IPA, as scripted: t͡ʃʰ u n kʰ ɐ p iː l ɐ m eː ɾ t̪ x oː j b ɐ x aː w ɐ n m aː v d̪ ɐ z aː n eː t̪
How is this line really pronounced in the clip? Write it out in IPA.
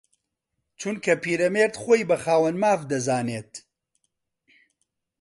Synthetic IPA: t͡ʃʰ u n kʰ ɐ p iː ɾ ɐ m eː ɾ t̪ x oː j b ɐ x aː w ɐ n m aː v d̪ ɐ z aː n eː t̪